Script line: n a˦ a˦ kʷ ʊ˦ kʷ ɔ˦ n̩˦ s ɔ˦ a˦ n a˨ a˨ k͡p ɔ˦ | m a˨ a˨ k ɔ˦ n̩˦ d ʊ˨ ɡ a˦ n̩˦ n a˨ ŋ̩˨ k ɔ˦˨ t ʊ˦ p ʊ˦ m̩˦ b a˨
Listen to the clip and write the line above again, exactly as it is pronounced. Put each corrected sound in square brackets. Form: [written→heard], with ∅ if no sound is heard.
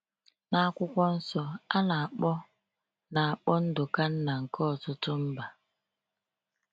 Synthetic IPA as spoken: n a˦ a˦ kʷ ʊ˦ kʷ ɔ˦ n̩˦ s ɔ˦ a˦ n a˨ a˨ k͡p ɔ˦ | [m→n] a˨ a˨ [k→k͡p] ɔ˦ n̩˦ d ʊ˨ [ɡ→k] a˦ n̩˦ n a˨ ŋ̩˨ k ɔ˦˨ t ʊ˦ [p→t] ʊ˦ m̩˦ b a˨